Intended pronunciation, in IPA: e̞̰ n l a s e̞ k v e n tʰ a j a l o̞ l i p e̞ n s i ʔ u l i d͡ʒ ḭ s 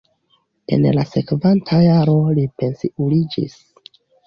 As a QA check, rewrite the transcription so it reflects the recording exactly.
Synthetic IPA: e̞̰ n l a s e̞ k v a n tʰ a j a ɾ o̞ l i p e̞ n s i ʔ u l i d͡ʒ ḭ s